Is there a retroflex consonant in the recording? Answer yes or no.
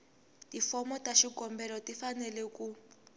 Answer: no